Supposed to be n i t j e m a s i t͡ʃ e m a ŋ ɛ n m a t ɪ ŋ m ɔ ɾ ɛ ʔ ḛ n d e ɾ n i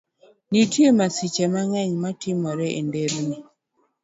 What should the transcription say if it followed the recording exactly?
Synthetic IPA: n i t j e m a s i t͡ʃ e m a ŋ ɛ ɲ m a t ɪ m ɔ ɾ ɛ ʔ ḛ n d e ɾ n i